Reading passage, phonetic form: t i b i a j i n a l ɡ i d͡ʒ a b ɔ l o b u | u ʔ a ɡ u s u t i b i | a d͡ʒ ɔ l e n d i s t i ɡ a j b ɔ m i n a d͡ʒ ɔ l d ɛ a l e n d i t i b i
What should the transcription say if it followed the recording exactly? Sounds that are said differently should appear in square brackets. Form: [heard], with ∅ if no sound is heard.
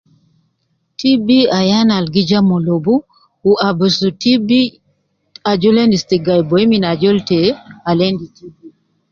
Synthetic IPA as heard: t i b i a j [a] n a l ɡ i d͡ʒ a [m] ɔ l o b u | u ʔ a [b] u s u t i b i | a d͡ʒ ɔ l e n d i s t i ɡ a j b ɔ m i n a d͡ʒ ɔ l [t] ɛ a l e n d i t i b i